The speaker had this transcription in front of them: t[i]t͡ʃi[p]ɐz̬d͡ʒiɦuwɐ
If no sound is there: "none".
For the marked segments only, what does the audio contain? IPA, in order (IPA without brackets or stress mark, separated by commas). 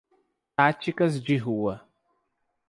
a, k